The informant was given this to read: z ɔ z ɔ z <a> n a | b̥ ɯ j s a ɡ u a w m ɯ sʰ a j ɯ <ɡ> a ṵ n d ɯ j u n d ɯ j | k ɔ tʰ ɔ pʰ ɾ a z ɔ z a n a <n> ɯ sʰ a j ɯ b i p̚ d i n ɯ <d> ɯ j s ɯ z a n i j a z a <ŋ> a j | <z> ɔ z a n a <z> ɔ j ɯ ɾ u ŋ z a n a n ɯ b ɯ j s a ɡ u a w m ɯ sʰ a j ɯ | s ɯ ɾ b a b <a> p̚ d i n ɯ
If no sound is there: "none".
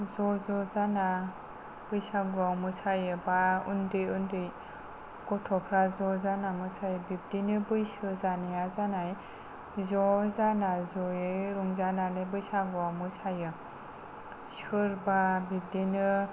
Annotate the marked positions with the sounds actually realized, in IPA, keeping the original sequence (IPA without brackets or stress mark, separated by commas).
a, b, m, b, n, z, z, i